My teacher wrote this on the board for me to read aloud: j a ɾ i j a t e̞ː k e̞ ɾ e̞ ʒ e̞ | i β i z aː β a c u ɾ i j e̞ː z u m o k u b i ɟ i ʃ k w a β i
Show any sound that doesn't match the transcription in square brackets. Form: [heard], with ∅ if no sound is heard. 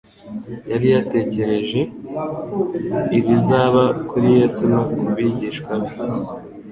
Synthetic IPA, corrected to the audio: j a ɾ i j a t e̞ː [c] e̞ ɾ e̞ ʒ e̞ | i β i z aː β a [k] u ɾ i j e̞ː [s] u [n] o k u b i ɟ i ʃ k w a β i